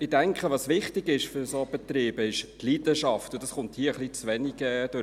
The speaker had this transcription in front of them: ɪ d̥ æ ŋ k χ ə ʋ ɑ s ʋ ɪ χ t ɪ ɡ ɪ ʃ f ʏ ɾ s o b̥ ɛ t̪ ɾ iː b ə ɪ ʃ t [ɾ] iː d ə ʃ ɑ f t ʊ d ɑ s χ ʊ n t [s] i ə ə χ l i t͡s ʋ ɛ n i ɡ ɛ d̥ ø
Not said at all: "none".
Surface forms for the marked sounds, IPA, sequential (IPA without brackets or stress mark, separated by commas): l, h